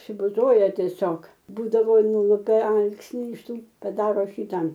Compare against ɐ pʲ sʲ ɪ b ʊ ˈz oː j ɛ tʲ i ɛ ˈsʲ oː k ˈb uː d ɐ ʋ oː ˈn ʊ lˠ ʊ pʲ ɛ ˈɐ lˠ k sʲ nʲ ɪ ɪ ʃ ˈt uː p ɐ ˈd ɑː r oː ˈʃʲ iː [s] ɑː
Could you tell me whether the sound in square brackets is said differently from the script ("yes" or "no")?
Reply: yes